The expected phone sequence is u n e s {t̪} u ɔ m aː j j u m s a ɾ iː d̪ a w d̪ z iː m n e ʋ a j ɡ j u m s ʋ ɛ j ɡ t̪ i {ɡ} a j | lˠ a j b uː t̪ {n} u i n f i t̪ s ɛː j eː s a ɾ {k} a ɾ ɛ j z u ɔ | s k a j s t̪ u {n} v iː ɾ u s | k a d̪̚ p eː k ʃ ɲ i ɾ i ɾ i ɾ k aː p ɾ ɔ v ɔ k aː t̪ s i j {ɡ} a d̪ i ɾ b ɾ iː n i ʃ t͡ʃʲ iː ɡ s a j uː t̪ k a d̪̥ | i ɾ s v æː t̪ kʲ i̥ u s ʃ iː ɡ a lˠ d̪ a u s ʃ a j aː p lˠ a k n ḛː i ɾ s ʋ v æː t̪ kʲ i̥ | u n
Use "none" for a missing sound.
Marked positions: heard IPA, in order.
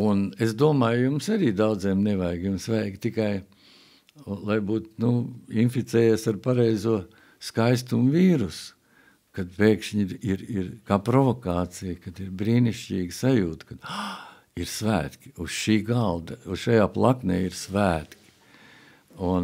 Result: d̪, k, n, p, m, k

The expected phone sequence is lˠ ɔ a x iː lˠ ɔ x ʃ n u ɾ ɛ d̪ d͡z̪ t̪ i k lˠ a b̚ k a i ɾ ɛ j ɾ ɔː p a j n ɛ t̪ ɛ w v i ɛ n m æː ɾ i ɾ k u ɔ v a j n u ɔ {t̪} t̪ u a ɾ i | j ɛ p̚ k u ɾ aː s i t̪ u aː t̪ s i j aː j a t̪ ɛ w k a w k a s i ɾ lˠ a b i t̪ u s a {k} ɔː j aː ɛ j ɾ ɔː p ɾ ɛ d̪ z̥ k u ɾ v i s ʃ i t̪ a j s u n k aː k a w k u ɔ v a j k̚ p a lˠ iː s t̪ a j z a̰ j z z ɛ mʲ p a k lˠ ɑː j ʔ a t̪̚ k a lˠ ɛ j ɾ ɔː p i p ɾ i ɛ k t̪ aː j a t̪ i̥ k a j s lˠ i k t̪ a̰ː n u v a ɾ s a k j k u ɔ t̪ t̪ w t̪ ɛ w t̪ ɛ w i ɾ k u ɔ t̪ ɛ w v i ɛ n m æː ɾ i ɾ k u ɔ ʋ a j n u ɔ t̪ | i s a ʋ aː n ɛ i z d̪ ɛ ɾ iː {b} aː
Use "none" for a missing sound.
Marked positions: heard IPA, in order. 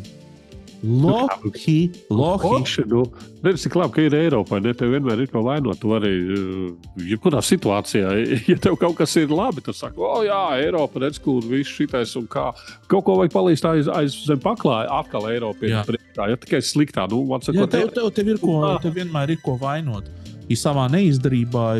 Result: t̪, k, b

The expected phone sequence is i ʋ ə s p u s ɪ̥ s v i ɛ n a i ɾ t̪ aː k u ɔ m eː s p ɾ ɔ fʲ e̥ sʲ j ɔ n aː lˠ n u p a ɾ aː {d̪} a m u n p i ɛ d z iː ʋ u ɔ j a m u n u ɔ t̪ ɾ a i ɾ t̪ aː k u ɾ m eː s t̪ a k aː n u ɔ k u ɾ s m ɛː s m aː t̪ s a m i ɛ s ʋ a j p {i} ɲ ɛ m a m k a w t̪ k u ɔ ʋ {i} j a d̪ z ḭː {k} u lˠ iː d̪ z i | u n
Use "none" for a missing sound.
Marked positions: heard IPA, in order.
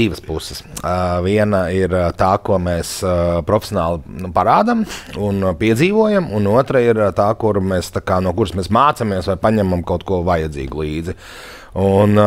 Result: d̪, a, a, ɡ

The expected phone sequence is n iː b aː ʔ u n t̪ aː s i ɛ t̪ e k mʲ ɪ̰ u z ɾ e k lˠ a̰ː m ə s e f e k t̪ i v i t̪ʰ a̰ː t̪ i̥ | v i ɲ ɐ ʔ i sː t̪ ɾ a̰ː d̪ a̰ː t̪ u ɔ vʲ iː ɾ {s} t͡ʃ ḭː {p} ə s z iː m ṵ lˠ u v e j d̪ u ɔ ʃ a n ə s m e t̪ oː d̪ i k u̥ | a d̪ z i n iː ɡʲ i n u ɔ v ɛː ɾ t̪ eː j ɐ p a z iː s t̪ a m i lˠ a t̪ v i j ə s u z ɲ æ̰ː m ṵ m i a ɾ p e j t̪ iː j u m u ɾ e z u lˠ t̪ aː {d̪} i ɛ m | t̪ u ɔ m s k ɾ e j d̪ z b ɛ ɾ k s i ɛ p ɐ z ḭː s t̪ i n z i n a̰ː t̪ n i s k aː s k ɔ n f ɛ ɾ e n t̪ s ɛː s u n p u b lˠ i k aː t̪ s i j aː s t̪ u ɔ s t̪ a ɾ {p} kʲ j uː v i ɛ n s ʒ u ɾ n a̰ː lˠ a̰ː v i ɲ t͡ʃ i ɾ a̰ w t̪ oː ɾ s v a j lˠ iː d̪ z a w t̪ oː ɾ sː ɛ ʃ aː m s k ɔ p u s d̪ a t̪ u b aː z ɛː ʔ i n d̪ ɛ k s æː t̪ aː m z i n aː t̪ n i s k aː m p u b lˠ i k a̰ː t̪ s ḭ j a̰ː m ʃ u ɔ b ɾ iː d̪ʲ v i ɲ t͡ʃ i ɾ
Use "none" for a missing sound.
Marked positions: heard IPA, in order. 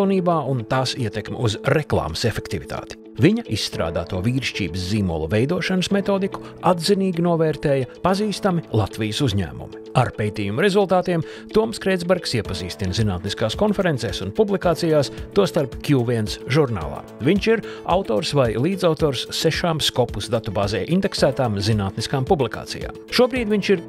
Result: ʃ, b, t̪, p

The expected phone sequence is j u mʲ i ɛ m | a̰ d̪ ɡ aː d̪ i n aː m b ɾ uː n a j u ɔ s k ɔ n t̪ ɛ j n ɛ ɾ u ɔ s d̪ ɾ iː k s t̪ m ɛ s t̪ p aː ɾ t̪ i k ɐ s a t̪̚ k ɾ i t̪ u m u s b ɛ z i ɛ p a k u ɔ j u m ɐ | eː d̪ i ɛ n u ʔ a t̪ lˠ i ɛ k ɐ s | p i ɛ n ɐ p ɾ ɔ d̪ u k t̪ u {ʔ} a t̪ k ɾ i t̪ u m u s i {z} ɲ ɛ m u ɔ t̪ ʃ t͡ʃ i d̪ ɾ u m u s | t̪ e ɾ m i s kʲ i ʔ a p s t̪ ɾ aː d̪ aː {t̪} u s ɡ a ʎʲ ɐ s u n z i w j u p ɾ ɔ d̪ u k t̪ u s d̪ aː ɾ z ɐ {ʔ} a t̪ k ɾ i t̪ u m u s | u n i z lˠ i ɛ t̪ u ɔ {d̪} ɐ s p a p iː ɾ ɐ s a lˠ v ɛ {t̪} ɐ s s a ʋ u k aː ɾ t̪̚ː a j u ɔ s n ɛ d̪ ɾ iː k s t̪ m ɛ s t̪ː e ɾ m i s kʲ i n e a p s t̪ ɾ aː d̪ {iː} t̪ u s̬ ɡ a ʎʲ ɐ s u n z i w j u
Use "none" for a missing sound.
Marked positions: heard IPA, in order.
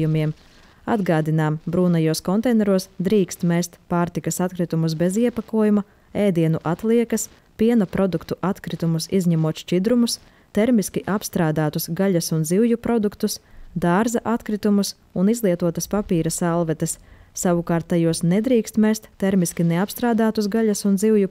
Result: ʔ, z, t̪, ʔ, t̪, t̪, aː

